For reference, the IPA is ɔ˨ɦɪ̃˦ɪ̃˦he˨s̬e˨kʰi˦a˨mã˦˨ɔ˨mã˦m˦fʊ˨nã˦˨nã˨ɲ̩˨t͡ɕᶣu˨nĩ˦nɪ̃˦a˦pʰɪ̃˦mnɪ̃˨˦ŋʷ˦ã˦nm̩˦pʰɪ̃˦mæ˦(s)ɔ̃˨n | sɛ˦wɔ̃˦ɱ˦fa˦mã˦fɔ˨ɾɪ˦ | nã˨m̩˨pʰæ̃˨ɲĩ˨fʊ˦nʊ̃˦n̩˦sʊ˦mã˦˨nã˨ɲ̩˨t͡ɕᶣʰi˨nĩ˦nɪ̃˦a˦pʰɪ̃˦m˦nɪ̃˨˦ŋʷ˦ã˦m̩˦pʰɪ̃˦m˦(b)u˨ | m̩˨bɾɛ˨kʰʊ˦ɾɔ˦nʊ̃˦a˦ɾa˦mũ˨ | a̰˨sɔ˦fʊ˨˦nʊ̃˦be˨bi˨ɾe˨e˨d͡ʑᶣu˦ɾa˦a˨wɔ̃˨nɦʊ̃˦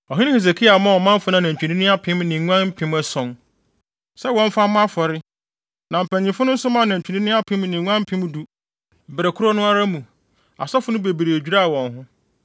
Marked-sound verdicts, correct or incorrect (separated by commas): correct, incorrect